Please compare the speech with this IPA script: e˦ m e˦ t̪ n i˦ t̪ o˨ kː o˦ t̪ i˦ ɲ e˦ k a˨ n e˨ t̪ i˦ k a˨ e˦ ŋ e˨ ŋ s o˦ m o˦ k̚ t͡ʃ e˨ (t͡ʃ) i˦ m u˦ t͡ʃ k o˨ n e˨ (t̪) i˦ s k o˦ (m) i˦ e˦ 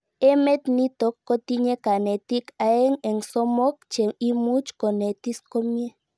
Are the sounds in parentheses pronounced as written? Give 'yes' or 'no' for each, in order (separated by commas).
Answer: no, yes, yes